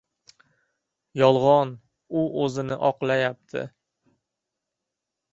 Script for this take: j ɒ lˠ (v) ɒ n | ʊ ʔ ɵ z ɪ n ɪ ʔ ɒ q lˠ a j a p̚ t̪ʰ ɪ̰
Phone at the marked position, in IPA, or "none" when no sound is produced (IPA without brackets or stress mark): ʁ